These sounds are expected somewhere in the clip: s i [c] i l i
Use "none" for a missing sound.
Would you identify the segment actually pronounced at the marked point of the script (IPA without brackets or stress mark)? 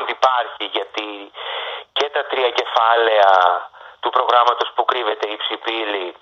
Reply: p